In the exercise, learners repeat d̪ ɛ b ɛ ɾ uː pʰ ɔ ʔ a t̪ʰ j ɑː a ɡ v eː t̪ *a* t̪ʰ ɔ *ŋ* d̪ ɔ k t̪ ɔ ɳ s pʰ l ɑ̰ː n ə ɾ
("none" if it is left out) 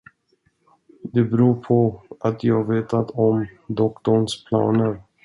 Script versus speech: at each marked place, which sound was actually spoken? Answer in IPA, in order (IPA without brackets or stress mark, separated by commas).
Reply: a, m